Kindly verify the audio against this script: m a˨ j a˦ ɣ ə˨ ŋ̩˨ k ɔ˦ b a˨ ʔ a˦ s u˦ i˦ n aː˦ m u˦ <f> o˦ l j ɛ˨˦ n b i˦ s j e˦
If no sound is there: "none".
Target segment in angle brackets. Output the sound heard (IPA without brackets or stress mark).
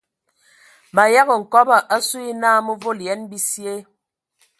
v